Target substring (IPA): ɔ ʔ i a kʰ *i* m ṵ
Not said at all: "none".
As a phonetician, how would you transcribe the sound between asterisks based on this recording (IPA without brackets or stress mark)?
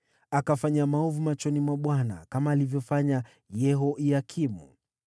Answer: i